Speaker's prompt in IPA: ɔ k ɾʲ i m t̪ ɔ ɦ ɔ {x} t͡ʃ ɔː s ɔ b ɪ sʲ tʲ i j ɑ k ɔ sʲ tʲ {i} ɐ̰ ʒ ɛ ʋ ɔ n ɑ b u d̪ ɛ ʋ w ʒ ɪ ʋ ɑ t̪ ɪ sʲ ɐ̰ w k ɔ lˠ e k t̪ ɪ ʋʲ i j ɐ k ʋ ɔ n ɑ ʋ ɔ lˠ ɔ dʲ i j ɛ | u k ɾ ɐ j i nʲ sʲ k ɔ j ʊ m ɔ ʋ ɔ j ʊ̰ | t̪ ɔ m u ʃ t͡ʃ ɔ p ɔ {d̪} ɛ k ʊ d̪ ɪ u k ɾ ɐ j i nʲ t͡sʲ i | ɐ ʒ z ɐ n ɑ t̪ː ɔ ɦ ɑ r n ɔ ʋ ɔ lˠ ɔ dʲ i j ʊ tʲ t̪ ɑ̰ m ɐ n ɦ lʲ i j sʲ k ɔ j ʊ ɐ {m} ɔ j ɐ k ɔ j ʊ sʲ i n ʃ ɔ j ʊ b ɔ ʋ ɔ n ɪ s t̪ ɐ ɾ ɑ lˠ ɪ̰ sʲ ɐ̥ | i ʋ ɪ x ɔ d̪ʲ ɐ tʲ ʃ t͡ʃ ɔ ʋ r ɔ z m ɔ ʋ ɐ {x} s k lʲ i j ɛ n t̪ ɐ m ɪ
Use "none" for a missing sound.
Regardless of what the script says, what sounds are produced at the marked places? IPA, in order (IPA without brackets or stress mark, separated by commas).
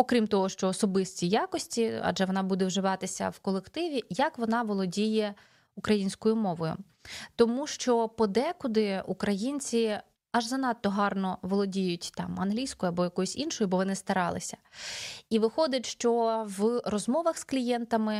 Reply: ʃ, i, d̪, b, x